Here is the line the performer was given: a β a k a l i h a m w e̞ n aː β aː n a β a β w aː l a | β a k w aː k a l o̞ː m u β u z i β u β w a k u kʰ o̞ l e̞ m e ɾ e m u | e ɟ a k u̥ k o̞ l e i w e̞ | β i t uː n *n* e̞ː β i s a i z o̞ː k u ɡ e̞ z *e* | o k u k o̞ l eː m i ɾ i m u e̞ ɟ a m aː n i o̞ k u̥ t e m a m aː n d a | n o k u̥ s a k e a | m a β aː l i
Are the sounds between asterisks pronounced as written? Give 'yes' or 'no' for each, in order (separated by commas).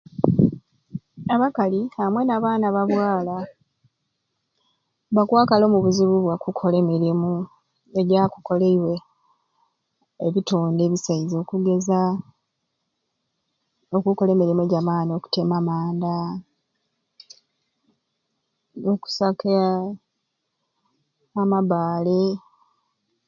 no, no